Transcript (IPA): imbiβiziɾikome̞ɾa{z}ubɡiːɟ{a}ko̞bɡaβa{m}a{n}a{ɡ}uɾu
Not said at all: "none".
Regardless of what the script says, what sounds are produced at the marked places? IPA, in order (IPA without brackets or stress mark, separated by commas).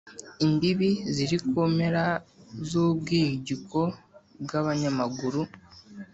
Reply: z, i, ɲ, m, ɡ